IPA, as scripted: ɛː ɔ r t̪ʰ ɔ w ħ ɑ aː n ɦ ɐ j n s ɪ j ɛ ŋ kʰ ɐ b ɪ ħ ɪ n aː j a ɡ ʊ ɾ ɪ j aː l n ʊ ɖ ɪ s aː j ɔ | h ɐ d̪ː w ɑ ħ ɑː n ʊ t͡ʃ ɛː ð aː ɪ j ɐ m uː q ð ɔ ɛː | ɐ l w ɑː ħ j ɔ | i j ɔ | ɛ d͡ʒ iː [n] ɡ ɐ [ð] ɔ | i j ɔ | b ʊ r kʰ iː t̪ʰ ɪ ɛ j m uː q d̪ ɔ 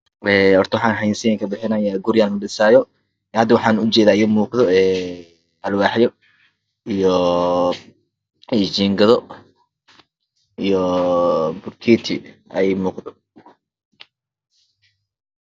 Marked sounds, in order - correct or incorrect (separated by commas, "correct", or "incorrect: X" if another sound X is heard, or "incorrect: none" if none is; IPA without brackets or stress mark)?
incorrect: ŋ, correct